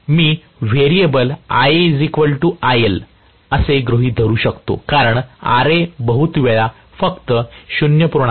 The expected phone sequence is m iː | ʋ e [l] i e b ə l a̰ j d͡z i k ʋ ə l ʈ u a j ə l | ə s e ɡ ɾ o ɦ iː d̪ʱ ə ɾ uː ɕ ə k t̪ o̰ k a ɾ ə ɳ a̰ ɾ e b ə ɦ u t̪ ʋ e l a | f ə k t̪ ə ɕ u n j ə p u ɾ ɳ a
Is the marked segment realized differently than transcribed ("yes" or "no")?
yes